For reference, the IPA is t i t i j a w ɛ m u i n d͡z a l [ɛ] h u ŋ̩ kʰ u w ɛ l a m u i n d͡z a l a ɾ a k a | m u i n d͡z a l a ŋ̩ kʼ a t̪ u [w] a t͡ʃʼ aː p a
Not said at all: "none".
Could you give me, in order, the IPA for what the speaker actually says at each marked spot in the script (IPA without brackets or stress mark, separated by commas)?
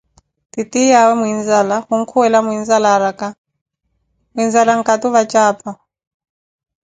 a, β